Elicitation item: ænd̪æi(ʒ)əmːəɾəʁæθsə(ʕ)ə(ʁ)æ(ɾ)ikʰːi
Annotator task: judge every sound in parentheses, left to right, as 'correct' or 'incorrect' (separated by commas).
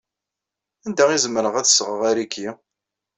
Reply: incorrect, incorrect, correct, correct